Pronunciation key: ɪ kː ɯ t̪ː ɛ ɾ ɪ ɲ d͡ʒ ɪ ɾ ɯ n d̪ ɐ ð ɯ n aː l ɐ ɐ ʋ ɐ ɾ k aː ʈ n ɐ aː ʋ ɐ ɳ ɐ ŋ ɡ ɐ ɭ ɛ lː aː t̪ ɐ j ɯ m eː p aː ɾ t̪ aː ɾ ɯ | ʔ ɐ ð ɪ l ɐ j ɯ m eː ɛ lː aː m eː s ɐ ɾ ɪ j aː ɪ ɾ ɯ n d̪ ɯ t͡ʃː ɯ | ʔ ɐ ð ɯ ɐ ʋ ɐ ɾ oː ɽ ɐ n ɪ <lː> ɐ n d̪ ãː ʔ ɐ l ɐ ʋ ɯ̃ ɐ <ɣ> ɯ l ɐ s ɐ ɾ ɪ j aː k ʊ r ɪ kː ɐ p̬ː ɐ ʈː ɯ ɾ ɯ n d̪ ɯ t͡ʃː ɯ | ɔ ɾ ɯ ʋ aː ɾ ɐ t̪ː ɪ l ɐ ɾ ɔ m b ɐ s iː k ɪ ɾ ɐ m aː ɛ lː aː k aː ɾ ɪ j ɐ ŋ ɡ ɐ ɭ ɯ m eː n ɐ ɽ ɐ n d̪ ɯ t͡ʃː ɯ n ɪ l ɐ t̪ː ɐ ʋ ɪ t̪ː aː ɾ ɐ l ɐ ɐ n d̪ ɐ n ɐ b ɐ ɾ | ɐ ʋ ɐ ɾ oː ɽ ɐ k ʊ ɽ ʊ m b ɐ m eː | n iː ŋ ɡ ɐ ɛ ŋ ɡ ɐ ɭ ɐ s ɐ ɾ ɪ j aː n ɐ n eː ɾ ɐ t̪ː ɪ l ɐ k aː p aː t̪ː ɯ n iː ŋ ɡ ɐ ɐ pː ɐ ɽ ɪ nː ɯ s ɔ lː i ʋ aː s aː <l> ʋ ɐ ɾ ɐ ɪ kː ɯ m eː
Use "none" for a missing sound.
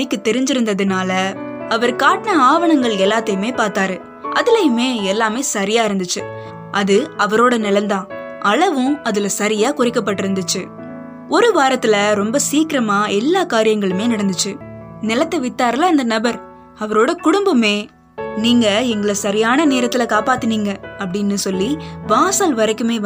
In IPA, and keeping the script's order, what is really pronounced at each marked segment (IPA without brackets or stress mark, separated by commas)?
l, ð, l